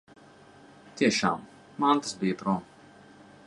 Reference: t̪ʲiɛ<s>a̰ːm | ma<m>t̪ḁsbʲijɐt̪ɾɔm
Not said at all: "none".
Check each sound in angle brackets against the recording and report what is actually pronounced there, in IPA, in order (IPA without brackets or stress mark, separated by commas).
ʃ, n